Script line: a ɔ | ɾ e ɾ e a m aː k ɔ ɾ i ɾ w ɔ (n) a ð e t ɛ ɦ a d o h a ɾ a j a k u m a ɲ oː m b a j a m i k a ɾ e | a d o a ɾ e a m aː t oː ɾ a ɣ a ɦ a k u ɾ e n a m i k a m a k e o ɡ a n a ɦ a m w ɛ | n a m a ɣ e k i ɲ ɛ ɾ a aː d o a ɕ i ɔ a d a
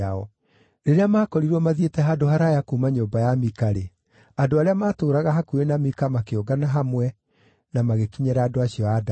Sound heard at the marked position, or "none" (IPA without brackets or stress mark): m